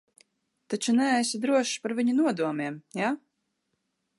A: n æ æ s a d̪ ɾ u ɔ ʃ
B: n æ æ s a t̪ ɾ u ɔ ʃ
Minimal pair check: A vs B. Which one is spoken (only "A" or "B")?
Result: A